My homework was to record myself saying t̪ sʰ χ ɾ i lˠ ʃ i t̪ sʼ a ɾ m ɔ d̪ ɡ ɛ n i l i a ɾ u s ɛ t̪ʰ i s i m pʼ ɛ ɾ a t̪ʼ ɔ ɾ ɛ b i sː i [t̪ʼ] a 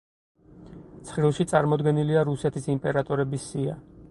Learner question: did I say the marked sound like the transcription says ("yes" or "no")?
no